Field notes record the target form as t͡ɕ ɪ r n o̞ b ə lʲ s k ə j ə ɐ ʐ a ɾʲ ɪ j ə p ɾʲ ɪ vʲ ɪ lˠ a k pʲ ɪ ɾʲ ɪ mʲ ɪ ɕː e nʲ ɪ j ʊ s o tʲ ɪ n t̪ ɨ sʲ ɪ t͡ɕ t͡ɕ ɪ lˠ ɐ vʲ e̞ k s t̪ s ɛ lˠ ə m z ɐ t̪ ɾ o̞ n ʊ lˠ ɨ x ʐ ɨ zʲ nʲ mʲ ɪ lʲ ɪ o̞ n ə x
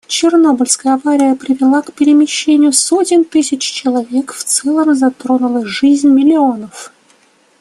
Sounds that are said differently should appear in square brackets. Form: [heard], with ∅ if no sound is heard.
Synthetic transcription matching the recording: t͡ɕ ɪ r n o̞ b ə lʲ s k ə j ə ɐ [v] a ɾʲ ɪ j ə p ɾʲ ɪ vʲ ɪ lˠ a k pʲ ɪ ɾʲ ɪ mʲ ɪ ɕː e nʲ ɪ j ʊ s o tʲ ɪ n t̪ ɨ sʲ ɪ t͡ɕ t͡ɕ ɪ lˠ ɐ vʲ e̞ k [f] t̪ s ɛ lˠ ə m z ɐ t̪ ɾ o̞ n ʊ lˠ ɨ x ʐ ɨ zʲ nʲ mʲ ɪ lʲ ɪ o̞ n ə [f]